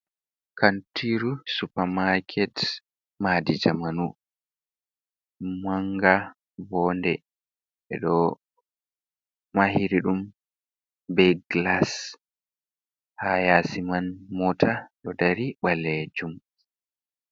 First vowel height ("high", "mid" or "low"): low